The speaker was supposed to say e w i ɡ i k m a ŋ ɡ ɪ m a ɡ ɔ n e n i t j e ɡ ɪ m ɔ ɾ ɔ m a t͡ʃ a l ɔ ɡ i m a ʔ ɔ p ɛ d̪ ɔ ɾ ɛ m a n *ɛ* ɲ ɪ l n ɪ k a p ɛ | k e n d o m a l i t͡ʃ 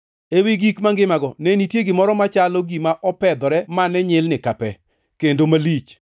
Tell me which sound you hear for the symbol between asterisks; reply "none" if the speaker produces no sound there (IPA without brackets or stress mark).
ɛ